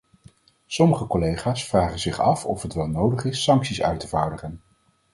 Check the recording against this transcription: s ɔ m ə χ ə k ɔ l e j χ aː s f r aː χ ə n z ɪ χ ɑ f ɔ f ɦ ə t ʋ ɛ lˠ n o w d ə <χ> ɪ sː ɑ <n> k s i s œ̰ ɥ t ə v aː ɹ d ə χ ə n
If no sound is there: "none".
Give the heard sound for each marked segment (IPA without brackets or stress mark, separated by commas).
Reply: χ, ŋ